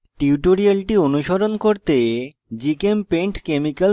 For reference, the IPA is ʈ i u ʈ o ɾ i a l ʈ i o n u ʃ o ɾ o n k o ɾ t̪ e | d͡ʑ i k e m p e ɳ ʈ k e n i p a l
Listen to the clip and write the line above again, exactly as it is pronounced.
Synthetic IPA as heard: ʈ i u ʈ o ɾ i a l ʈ i o n u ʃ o ɾ o n k o ɾ t̪ e | d͡ʑ i k e m p e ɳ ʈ k e m i k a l